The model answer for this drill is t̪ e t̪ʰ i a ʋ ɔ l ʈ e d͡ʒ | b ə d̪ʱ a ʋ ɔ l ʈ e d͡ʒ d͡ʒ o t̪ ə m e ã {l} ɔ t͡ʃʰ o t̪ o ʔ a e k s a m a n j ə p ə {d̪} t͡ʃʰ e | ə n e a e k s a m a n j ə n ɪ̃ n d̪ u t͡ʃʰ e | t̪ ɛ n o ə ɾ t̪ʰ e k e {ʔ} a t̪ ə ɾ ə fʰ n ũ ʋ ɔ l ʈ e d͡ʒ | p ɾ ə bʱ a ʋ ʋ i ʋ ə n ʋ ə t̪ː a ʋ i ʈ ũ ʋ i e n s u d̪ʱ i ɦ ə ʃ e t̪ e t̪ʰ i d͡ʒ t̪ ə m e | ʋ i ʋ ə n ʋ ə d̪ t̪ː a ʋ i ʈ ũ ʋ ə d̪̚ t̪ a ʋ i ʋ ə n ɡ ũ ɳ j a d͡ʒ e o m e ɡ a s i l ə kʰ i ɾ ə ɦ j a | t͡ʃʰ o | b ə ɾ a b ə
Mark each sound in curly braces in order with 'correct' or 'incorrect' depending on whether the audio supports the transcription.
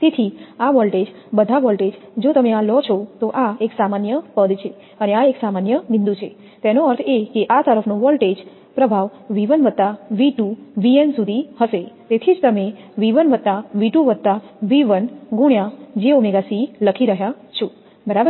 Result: correct, correct, correct

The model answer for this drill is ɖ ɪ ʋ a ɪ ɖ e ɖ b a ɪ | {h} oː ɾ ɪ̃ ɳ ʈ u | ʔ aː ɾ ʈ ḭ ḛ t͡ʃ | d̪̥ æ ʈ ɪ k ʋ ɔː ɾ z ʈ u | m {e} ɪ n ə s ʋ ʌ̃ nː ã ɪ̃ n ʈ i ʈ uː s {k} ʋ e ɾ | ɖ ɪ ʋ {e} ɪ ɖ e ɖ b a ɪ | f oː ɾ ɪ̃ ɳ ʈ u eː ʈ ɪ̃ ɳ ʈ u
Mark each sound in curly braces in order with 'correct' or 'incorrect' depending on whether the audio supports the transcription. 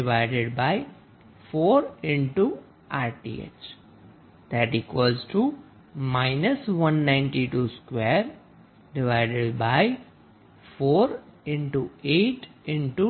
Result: incorrect, incorrect, correct, incorrect

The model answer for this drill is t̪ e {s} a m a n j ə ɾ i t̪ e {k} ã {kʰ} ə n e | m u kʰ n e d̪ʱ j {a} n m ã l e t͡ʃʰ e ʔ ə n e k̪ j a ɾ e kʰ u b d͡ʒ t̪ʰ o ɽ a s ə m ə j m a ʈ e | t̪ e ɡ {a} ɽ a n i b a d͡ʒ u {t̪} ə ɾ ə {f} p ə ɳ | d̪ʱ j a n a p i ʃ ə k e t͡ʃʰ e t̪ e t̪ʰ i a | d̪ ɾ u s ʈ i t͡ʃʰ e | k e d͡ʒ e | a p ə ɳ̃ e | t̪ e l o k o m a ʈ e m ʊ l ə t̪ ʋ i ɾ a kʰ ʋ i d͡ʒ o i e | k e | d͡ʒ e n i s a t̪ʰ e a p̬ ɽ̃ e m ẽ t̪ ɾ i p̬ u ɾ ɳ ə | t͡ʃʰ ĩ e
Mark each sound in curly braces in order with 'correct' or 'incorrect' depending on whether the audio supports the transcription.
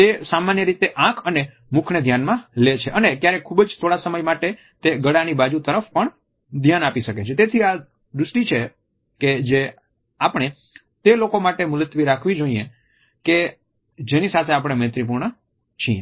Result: correct, incorrect, correct, correct, incorrect, correct, correct

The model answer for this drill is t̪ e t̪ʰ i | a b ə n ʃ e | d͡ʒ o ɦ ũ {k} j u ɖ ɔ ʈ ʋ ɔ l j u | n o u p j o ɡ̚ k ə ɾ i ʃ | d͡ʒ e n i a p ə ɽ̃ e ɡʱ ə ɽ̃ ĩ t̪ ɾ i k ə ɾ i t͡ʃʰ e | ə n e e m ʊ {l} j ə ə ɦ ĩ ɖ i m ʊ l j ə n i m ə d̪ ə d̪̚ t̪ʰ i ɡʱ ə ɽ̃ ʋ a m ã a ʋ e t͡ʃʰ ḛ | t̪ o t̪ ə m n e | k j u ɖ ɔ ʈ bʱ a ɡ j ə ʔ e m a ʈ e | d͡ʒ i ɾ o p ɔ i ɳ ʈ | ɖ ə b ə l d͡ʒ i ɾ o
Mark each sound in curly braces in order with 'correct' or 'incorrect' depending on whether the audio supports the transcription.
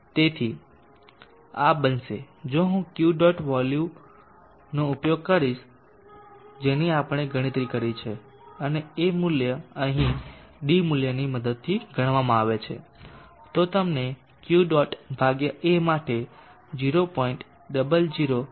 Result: correct, correct

